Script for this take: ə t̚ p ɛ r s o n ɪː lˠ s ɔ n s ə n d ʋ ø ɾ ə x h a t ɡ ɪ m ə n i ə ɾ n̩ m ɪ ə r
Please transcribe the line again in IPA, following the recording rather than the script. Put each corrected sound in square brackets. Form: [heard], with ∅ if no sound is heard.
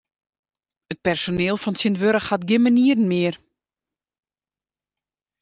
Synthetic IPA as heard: ə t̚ p ɛ r s o n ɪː lˠ [f] ɔ n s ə n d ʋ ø ɾ ə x h a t ɡ ɪ m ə n i ə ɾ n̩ m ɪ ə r